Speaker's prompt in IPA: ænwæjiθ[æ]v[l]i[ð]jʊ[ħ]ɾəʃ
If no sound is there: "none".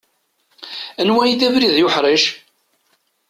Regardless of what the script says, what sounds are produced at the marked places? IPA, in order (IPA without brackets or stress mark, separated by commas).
æ, ɾ, ð, ħ